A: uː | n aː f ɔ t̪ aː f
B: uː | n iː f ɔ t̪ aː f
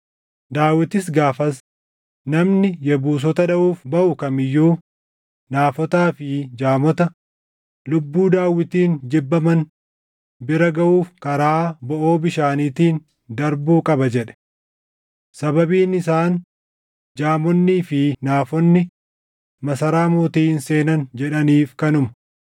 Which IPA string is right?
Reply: A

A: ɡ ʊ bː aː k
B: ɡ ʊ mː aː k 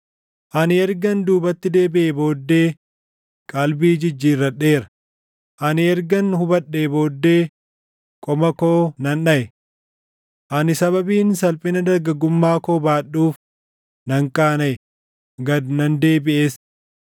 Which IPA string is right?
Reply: B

